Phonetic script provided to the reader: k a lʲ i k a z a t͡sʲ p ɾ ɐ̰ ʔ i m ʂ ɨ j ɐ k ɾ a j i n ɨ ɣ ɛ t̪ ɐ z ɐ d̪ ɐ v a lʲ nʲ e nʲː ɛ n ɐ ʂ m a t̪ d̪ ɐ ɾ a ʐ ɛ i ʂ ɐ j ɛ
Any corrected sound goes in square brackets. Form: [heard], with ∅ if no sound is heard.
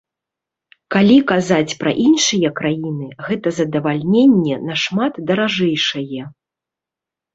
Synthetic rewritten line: k a lʲ i k a z a t͡sʲ p ɾ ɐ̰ ʔ i [n] ʂ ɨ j ɐ k ɾ a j i n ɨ ɣ ɛ t̪ ɐ z ɐ d̪ ɐ v a lʲ nʲ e nʲː ɛ n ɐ ʂ m a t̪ d̪ ɐ ɾ a ʐ ɛ [j] ʂ ɐ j ɛ